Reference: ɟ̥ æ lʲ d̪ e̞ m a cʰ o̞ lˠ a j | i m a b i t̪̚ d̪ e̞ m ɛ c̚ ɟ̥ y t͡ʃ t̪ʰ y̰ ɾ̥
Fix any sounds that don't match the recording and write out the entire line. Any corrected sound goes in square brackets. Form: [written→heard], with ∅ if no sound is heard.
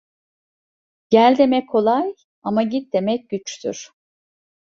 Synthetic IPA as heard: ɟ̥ æ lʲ d̪ e̞ m [a→ɛ] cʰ o̞ lˠ a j | [i→a] m a [b→ɟ] i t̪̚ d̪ e̞ m ɛ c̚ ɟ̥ y t͡ʃ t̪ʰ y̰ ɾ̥